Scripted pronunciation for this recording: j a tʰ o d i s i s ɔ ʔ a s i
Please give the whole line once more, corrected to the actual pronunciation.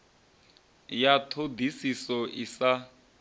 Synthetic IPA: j a tʰ o d i s i s ɔ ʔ i s a